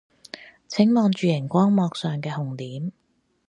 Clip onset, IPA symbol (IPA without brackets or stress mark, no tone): t͡sʰ